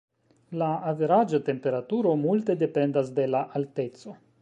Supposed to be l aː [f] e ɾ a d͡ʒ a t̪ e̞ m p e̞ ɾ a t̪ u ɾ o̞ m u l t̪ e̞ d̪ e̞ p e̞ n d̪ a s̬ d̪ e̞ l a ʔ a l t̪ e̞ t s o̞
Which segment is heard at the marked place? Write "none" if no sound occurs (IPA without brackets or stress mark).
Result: v